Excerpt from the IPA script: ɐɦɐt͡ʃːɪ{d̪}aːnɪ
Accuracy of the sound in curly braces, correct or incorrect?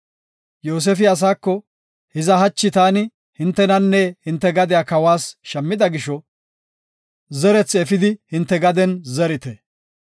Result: incorrect